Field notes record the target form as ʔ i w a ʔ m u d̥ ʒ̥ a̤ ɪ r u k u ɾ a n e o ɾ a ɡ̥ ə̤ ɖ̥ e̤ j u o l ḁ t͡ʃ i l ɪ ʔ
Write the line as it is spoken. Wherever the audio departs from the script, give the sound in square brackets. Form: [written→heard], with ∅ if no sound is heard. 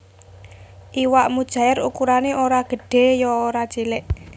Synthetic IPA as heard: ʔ i w a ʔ m u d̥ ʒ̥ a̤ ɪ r u k u ɾ a n e o ɾ a ɡ̥ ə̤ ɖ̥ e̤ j [u→ɔ] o [l→ɾ] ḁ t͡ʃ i l ɪ ʔ